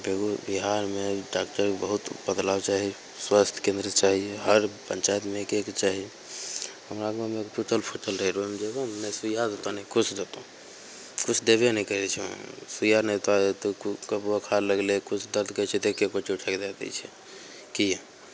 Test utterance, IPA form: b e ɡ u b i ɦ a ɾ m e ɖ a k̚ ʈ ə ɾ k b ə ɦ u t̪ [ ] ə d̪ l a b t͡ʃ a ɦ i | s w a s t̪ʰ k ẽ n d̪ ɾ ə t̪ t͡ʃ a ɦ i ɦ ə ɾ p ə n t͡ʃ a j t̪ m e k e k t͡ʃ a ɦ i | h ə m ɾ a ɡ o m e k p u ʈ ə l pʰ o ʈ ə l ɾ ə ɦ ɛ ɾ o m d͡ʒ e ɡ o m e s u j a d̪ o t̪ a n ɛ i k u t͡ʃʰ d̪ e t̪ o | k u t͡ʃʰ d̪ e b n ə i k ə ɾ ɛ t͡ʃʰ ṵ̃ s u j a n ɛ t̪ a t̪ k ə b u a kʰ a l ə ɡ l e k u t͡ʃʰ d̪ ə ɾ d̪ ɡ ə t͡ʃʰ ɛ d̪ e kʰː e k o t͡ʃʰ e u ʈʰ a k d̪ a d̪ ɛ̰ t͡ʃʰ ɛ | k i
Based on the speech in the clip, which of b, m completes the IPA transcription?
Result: b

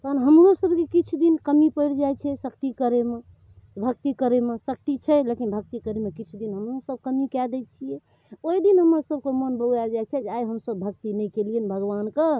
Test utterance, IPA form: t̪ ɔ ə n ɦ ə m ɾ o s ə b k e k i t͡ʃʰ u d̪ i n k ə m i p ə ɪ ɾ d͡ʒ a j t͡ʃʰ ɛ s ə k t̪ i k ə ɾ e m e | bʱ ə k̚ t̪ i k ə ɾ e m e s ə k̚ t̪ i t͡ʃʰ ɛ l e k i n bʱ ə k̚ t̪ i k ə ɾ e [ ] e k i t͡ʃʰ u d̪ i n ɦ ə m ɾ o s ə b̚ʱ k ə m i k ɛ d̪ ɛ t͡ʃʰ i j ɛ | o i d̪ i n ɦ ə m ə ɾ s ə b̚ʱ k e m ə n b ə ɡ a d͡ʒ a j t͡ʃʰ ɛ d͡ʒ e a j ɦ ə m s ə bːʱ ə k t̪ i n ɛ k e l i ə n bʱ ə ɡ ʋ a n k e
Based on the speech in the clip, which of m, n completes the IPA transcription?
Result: m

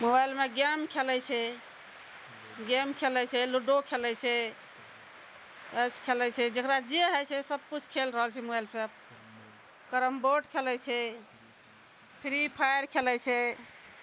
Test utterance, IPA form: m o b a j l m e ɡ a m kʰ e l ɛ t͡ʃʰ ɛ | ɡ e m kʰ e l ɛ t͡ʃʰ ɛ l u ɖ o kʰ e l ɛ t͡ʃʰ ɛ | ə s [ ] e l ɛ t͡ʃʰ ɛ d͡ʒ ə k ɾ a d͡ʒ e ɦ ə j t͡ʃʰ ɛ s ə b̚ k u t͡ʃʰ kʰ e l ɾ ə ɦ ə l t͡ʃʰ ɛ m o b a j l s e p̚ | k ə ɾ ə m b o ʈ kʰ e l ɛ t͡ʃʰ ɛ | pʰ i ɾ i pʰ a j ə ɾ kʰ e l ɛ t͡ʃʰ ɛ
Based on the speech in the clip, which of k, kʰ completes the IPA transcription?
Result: kʰ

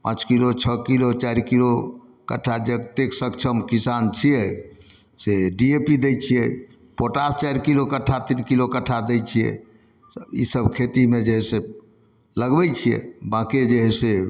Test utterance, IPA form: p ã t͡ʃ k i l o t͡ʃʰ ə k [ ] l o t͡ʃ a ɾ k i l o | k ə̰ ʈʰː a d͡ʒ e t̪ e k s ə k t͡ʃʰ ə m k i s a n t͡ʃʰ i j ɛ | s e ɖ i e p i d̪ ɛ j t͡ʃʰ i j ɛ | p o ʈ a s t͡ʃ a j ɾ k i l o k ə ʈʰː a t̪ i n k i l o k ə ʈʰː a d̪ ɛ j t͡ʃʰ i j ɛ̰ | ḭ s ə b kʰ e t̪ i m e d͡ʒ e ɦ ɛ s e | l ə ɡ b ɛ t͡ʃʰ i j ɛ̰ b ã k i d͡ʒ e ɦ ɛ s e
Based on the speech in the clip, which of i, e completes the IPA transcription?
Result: i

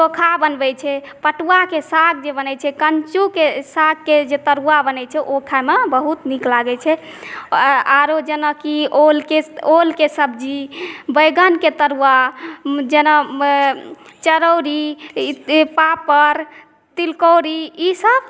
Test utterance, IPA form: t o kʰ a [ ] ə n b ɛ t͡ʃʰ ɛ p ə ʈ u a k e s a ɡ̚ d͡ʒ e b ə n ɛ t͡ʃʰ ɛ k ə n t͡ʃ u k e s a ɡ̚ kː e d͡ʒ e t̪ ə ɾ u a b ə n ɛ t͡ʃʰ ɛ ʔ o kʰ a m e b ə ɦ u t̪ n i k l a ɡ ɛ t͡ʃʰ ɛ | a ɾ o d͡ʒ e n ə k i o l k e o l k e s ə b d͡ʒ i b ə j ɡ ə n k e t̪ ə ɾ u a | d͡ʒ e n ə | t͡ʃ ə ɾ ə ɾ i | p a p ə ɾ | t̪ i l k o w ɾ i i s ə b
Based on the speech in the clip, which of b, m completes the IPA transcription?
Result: b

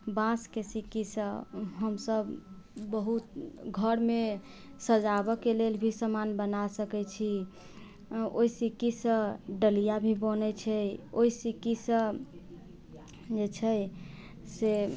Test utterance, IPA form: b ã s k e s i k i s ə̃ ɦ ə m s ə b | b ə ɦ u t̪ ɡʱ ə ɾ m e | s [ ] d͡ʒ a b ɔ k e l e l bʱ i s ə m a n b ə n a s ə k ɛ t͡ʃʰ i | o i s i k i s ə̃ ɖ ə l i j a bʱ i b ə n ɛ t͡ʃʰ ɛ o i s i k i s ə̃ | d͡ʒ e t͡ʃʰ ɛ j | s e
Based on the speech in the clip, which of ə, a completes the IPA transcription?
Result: ə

